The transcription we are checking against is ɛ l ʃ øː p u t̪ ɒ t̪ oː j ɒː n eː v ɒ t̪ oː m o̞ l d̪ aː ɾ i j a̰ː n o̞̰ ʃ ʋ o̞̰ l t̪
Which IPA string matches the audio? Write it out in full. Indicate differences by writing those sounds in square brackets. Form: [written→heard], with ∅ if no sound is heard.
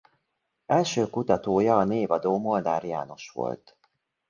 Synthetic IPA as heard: ɛ l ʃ øː [p→k] u t̪ ɒ t̪ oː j ɒː n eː v ɒ [t̪→d̪] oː m o̞ l d̪ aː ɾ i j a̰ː n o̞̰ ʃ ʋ o̞̰ l t̪